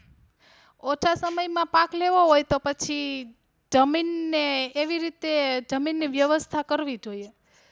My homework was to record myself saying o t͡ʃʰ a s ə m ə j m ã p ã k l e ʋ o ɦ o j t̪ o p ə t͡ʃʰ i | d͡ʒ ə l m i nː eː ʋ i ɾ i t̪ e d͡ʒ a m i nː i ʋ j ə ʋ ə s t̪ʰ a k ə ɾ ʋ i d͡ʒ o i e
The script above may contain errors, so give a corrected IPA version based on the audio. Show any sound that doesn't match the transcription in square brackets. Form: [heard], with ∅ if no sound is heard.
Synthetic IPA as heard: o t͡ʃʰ a s ə m ə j m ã p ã k l e ʋ o ɦ o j t̪ o p ə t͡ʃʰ i | d͡ʒ ə [∅] m i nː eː ʋ i ɾ i t̪ e d͡ʒ [ə] m i nː i ʋ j ə ʋ ə s t̪ʰ a k ə ɾ ʋ i d͡ʒ o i e